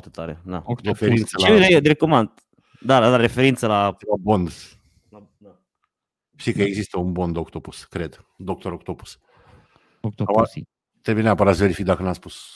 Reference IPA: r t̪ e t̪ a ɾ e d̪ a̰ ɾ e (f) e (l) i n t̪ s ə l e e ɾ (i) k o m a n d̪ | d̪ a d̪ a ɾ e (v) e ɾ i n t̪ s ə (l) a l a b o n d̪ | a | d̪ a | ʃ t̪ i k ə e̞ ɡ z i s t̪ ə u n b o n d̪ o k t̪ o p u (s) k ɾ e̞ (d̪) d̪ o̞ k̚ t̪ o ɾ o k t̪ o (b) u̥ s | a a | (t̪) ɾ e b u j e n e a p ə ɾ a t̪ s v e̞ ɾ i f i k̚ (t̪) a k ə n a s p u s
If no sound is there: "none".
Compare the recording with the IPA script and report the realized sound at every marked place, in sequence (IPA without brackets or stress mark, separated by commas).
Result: f, ɾ, e, f, l, s, d̪, p, t̪, d̪